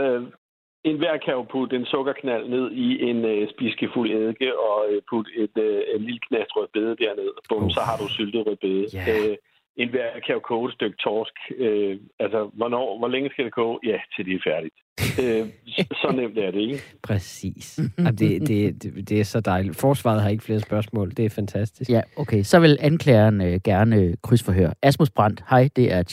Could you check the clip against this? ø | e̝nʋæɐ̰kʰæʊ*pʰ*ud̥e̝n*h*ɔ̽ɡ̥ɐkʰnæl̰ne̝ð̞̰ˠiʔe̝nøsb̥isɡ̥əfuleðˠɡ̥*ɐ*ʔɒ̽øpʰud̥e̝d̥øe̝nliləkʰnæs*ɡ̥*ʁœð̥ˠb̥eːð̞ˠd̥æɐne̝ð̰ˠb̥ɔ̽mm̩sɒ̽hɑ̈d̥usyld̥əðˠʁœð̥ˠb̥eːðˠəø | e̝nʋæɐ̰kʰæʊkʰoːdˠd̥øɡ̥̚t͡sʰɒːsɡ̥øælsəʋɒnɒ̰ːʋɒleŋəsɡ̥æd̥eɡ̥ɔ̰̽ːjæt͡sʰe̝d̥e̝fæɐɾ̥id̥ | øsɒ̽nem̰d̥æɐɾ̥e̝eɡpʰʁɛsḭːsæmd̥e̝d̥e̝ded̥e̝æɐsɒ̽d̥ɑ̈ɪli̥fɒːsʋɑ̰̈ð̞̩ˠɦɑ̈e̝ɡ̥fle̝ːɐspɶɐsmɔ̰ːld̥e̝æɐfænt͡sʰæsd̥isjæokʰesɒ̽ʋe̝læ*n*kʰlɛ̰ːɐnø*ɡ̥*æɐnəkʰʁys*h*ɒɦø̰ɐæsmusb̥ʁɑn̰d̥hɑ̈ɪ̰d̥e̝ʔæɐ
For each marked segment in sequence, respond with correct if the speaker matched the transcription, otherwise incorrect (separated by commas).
correct, incorrect, incorrect, incorrect, correct, correct, incorrect